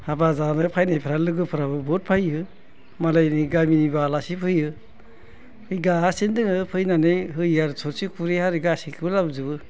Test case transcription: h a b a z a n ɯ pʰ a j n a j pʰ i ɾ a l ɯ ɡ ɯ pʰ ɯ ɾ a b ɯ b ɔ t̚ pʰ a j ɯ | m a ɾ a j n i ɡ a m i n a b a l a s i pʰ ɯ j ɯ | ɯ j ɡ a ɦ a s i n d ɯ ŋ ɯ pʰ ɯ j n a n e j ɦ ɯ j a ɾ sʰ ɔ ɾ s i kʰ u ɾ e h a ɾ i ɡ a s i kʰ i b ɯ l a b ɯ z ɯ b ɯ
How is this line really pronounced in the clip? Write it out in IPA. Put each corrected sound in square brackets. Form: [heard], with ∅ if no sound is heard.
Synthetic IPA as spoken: h a b a z a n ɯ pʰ a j n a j pʰ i ɾ a l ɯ ɡ ɯ pʰ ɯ ɾ a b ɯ b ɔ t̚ pʰ a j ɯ | m a [l] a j n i ɡ a m i n [i] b a l a s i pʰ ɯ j ɯ | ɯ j ɡ a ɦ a s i n d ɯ ŋ ɯ pʰ ɯ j n a n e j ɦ ɯ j a ɾ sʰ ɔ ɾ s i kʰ u ɾ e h a ɾ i ɡ a s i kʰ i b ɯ l a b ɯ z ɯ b ɯ